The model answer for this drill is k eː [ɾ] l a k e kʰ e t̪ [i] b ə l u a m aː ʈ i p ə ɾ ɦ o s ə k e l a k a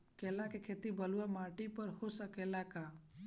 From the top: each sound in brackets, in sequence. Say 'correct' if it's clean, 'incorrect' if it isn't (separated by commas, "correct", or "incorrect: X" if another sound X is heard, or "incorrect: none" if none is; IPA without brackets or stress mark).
incorrect: none, correct